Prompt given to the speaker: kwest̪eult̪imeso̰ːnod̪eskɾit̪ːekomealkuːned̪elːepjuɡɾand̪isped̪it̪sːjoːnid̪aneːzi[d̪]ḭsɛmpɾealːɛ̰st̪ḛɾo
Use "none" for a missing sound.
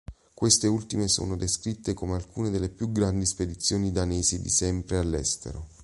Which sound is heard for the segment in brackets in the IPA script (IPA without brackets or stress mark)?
d̪